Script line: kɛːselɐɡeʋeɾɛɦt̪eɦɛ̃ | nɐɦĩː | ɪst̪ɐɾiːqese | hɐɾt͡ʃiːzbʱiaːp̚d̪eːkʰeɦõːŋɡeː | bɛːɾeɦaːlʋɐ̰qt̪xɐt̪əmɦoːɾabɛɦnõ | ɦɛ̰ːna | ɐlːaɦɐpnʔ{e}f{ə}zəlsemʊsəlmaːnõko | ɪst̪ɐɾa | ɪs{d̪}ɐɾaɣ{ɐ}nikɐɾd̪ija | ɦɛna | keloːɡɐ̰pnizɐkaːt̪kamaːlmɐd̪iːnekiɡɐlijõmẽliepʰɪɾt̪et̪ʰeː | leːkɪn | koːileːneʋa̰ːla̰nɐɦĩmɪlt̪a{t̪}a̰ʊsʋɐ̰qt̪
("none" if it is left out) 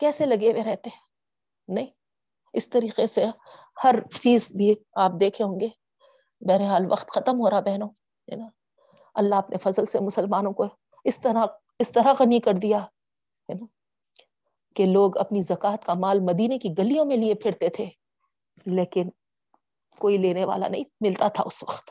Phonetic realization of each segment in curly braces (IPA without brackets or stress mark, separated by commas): e, ɐ, t̪, ɐ, t̪ʰ